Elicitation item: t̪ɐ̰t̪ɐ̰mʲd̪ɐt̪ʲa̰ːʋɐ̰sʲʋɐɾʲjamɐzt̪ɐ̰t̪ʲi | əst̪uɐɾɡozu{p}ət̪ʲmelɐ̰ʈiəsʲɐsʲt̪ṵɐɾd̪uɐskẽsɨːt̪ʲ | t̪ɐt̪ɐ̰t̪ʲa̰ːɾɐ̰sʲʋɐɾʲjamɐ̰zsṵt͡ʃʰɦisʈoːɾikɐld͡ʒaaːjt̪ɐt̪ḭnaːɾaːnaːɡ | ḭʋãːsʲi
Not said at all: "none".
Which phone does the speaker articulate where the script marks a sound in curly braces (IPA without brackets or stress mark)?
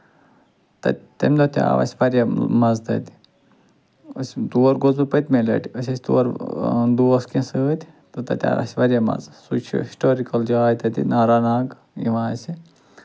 p